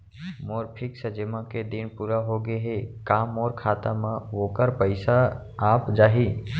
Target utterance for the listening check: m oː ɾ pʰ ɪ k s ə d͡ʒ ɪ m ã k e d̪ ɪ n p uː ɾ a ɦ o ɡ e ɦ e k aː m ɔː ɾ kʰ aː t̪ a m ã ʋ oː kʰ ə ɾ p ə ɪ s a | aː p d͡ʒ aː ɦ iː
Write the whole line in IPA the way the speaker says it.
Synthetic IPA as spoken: m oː ɾ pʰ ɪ k s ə d͡ʒ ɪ m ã k e d̪ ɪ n p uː ɾ a ɦ o ɡ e ɦ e k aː m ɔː ɾ kʰ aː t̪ a m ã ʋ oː k ə ɾ p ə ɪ s a | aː p d͡ʒ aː ɦ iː